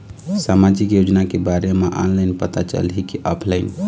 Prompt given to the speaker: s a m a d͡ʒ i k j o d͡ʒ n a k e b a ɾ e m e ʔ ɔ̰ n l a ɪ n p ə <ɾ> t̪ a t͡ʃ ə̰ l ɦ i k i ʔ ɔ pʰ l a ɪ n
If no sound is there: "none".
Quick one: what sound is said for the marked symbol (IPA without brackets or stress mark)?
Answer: none